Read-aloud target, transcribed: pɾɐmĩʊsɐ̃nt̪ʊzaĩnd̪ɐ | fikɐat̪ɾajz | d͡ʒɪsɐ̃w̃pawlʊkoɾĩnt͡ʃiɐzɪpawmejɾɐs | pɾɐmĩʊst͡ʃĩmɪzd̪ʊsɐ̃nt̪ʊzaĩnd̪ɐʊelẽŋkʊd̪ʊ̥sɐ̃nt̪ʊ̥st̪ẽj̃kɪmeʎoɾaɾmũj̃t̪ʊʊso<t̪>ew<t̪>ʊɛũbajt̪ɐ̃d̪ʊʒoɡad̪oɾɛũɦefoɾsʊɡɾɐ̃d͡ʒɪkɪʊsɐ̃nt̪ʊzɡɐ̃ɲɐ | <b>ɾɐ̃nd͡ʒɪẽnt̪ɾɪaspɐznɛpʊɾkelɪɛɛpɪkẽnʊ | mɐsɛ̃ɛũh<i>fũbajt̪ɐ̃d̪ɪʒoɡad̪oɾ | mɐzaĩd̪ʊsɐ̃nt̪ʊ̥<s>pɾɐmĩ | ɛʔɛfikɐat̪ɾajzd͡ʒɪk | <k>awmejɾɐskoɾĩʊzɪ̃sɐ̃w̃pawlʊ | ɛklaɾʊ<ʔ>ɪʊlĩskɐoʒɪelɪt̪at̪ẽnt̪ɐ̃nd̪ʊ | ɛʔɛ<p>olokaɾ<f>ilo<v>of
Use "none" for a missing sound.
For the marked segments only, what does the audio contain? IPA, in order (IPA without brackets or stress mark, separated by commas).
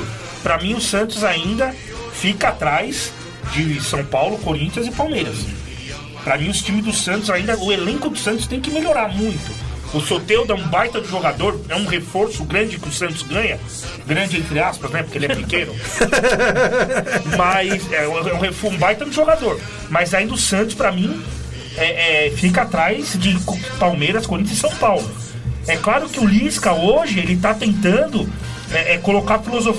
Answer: t̪, d̪, ɡ, e, s, p, k, k, f, z